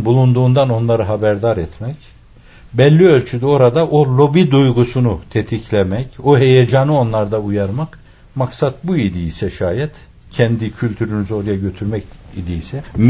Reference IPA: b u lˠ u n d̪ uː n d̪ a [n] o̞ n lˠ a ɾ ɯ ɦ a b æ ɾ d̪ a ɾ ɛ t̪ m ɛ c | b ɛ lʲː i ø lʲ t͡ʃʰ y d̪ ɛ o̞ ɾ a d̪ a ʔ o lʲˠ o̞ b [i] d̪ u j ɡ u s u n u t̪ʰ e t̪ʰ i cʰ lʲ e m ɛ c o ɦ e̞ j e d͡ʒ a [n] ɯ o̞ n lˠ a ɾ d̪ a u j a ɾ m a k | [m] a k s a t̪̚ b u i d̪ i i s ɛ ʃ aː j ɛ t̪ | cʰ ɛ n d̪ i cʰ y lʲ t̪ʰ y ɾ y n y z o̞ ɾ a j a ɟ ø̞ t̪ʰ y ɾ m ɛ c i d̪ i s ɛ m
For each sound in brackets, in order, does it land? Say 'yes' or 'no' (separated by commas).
yes, yes, yes, yes